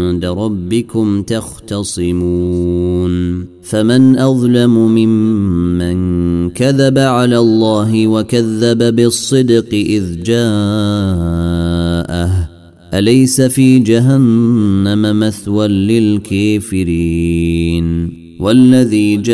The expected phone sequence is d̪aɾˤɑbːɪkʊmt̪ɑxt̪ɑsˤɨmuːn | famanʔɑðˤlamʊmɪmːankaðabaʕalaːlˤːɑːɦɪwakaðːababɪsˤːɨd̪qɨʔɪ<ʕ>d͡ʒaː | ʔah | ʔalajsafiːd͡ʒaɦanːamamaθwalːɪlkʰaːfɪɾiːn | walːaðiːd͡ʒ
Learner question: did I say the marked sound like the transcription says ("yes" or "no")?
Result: no